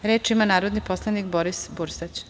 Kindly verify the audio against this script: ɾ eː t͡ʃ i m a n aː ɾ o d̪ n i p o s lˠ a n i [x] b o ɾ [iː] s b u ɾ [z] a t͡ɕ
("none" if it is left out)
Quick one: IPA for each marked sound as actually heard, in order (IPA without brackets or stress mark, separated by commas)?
k, i, s